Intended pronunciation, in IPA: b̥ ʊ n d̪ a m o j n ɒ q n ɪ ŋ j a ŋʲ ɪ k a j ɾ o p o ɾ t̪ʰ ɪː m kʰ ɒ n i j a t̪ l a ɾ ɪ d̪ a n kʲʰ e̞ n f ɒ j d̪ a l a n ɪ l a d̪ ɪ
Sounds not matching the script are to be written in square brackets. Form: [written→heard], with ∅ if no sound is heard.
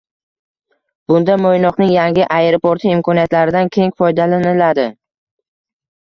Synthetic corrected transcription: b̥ ʊ n d̪ a m o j n ɒ q n ɪ ŋ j a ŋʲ ɪ [k→ʔ] a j ɾ o p o ɾ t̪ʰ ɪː m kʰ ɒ n i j a t̪ l a ɾ ɪ d̪ a n kʲʰ e̞ [n→ŋ] f ɒ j d̪ a l a n ɪ l a d̪ ɪ